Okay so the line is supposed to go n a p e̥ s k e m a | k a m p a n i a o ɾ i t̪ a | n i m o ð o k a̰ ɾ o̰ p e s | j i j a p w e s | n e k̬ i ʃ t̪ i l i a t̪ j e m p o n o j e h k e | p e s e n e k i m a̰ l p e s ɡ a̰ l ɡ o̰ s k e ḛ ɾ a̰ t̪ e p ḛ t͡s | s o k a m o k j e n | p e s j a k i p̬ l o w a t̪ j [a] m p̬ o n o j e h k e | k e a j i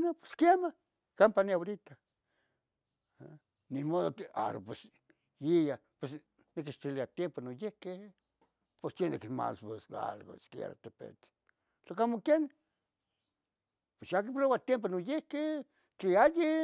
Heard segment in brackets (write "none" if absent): e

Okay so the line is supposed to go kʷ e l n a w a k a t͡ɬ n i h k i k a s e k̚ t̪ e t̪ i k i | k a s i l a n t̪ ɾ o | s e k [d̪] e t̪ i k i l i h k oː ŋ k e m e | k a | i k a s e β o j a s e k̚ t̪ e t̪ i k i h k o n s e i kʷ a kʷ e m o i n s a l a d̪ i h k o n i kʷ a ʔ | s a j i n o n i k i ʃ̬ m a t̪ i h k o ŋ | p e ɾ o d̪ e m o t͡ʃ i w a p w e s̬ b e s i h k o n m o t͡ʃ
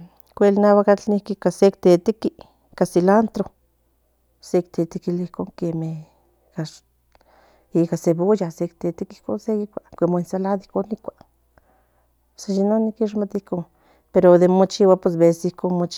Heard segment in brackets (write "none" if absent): t̪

